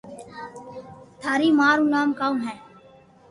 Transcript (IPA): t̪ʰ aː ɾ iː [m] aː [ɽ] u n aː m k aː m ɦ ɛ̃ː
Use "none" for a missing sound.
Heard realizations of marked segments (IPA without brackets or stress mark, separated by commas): m, ɾ